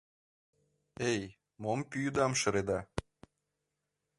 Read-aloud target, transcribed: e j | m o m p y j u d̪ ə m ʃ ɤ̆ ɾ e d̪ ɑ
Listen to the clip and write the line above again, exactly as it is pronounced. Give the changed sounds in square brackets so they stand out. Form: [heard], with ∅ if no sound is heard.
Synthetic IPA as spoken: e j | m o m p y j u d̪ [ɑ] m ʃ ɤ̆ ɾ e d̪ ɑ